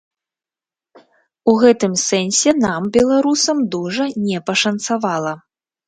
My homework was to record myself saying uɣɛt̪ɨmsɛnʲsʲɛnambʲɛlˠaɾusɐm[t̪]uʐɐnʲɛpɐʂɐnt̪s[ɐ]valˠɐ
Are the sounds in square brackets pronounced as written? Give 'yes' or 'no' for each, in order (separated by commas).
no, no